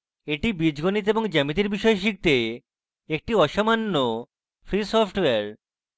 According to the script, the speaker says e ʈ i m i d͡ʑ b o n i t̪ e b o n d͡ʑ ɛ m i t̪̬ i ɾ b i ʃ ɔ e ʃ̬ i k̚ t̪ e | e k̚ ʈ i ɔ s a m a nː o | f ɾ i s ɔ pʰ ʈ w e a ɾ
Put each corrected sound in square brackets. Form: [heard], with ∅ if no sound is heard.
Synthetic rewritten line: e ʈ i [b] i d͡ʑ [ɡ] o n i t̪ e b o [ŋ] d͡ʑ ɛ m i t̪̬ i ɾ b i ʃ ɔ e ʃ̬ i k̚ t̪ e | e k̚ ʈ i ɔ [ʃ] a m a nː o | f ɾ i s ɔ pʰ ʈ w e a ɾ

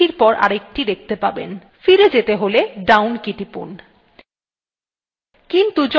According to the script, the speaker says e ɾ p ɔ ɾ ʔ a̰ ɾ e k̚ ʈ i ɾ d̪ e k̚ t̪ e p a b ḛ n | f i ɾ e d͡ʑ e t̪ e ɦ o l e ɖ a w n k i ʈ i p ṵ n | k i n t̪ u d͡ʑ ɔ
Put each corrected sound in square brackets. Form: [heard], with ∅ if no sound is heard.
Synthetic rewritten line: [i] ɾ p ɔ ɾ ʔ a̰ ɾ e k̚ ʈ i [∅] d̪ e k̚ t̪ e p a b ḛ n | f i ɾ e d͡ʑ e t̪ e ɦ o l e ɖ a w n k i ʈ i p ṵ n | k i n t̪ u d͡ʑ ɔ

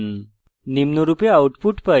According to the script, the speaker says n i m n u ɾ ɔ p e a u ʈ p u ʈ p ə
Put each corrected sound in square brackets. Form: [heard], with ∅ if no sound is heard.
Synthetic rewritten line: n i m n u ɾ [u] p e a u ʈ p u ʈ p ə

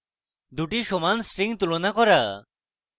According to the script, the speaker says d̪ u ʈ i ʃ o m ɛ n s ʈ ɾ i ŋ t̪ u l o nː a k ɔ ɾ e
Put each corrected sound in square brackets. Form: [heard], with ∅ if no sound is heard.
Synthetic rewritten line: d̪ u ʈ i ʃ o m [a] n s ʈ ɾ i ŋ t̪ u l o [n] a k ɔ ɾ [a]

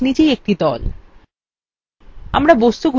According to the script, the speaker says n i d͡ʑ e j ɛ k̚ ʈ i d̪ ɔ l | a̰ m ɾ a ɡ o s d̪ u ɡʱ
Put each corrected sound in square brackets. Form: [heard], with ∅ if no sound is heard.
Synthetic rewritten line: n i d͡ʑ e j [e] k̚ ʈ i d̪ ɔ l | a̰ m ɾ a [b] o s [t̪] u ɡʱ

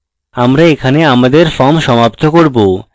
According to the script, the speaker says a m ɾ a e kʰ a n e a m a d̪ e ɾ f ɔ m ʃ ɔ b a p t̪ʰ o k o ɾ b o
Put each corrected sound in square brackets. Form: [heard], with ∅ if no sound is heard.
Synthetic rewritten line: a m ɾ a e kʰ a n e a m a d̪ e ɾ f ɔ m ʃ ɔ [m] a p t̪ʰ o k o ɾ b o

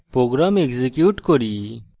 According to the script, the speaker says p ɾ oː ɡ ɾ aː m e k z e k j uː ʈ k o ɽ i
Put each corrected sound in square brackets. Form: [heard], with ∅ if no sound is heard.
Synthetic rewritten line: p ɾ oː ɡ ɾ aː m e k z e k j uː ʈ k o [ɾ] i

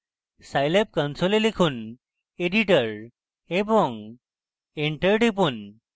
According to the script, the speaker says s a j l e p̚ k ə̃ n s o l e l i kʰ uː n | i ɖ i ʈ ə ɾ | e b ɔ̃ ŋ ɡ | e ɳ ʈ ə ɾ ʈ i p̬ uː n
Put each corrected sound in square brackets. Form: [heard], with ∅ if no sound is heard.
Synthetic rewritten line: s a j l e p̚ k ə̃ n s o l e l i kʰ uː n | [e] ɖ i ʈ ə ɾ | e b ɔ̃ ŋ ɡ | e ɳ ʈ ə ɾ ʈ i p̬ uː n

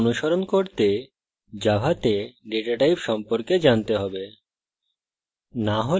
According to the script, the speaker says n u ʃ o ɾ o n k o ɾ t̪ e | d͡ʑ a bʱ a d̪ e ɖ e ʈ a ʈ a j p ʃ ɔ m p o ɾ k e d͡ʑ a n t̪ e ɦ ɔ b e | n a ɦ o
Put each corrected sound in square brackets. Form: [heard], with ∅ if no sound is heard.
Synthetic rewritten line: n u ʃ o ɾ o n k o ɾ t̪ e | d͡ʑ a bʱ a [t̪] e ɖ e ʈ a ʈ a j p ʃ ɔ m p o ɾ k e d͡ʑ a n t̪ e ɦ ɔ b e | n a ɦ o

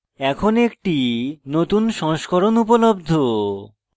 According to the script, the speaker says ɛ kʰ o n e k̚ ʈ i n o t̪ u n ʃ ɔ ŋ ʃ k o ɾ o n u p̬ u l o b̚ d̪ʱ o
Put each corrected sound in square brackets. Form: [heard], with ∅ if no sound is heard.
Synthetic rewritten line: ɛ kʰ o n e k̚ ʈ i n o t̪ u n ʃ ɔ ŋ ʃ k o ɾ o n u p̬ [o] l o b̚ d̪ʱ o

